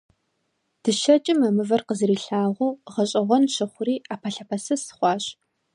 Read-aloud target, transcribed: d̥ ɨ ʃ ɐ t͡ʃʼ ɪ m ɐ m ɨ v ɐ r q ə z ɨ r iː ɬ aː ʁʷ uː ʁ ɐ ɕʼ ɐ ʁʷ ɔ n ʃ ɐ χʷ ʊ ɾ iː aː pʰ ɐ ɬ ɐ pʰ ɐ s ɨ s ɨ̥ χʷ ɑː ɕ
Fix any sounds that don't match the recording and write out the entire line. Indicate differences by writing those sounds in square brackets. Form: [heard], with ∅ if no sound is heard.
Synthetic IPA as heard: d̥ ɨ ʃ ɐ t͡ʃʼ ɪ m ɐ m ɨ v ɐ r q ə z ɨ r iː ɬ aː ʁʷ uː ʁ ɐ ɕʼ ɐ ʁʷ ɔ n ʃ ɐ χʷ ʊ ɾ iː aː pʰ ɐ ɬ ɐ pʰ ɐ s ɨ s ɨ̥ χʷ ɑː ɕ